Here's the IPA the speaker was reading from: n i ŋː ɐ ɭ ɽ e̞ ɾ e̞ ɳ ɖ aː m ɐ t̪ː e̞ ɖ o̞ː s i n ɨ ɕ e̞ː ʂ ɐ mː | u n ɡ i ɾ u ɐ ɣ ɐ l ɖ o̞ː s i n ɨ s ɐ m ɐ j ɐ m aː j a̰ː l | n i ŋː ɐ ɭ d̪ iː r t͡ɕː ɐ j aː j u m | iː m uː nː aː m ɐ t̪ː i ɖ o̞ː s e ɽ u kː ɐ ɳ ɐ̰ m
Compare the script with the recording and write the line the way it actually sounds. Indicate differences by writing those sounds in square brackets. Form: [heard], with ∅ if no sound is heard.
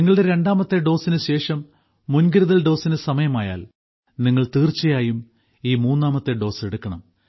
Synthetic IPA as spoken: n i ŋː ɐ ɭ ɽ e̞ ɾ e̞ ɳ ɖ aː m ɐ t̪ː e̞ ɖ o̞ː s i n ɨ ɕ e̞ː ʂ ɐ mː | u n ɡ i ɾ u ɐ [ð] ɐ l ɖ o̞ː s i n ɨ s ɐ m ɐ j ɐ m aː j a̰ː l | n i ŋː ɐ ɭ [t̪] iː r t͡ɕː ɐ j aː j u m | iː m uː nː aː m ɐ t̪ː [e] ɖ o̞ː s e ɽ u kː ɐ ɳ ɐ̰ m